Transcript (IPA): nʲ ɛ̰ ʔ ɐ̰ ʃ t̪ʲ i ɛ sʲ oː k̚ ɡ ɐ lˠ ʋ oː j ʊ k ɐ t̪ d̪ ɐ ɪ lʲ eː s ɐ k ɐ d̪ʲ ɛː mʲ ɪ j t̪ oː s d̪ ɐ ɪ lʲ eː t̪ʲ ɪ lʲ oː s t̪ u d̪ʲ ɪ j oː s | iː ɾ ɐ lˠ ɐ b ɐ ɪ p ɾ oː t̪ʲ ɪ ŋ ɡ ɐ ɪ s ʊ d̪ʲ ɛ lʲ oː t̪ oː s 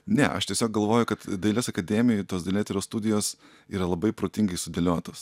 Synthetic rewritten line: nʲ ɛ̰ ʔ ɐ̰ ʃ t̪ʲ i ɛ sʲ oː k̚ ɡ ɐ lˠ ʋ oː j ʊ k ɐ t̪ d̪ ɐ ɪ lʲ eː s ɐ k ɐ d̪ʲ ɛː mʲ ɪ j t̪ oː s d̪ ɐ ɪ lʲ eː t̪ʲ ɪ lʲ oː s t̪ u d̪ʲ ɪ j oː s | iː ɾ ɐ lˠ ɐ b ɐ ɪ p ɾ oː t̪ʲ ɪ ŋ ɡ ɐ ɪ s ʊ d̪ʲ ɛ lʲ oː t̪ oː s